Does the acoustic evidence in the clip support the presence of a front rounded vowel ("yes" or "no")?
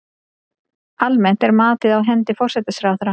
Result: no